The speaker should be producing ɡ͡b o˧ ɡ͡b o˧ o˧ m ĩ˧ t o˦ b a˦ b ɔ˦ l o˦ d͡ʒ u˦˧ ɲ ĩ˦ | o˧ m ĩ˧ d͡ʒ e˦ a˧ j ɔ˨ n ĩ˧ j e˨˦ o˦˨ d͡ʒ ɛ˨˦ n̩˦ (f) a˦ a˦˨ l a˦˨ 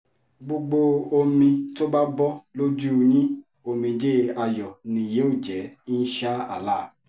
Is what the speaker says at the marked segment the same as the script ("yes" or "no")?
no